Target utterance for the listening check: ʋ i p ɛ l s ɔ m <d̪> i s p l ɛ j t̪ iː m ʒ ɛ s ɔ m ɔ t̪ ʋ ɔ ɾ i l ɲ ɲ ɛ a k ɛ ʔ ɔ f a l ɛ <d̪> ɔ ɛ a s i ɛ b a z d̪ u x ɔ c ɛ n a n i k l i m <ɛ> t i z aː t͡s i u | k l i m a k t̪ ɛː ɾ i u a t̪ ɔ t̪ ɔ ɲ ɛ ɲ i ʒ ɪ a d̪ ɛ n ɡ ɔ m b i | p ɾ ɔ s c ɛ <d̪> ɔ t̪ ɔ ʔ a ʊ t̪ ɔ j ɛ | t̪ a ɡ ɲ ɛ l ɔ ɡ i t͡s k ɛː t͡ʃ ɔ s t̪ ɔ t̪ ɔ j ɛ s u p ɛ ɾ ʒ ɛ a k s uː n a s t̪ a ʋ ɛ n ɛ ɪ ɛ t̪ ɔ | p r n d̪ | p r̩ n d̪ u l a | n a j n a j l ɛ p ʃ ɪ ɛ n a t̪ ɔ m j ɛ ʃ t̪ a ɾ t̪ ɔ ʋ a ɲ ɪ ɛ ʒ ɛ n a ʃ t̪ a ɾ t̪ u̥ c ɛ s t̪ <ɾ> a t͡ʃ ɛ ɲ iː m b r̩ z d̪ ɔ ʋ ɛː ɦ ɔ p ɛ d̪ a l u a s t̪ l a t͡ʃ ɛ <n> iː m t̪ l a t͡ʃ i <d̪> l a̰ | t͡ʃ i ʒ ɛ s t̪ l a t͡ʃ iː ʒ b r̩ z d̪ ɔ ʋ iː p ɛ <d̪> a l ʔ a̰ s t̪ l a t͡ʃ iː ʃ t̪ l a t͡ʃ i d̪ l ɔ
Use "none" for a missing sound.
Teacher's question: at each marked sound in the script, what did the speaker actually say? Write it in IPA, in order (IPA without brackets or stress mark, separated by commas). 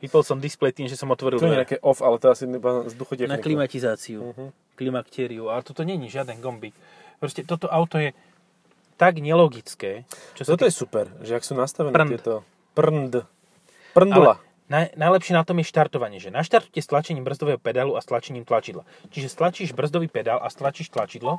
d̪, t̪, a, t̪, l, ɲ, d̪, d̪